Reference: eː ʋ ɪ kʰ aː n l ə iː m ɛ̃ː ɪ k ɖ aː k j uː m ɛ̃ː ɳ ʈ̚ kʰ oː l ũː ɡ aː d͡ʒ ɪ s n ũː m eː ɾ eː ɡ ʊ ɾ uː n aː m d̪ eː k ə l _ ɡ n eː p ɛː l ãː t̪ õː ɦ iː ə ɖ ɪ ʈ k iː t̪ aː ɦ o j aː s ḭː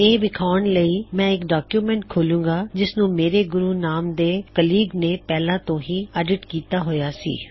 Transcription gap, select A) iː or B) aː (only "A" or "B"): A